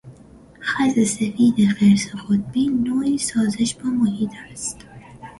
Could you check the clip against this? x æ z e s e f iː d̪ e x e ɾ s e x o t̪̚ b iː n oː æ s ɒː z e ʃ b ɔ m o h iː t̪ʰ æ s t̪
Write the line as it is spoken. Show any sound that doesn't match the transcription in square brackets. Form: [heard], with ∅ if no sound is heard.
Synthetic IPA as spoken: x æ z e s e f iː d̪ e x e ɾ s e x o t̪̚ b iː n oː [i] s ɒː z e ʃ b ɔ m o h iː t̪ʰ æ s t̪